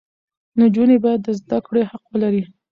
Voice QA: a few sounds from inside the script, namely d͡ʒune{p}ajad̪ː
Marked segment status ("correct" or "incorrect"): incorrect